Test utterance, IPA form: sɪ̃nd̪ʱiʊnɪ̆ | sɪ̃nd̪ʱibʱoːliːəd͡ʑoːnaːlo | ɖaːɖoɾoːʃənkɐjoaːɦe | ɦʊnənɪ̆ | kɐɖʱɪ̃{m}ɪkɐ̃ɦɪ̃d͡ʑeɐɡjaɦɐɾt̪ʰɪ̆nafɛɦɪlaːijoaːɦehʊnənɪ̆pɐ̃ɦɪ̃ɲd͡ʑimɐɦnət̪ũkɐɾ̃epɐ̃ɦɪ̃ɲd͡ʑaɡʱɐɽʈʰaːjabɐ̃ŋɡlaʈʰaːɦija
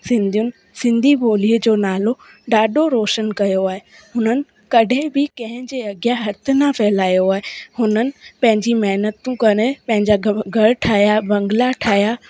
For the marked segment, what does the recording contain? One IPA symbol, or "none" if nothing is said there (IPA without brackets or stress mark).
b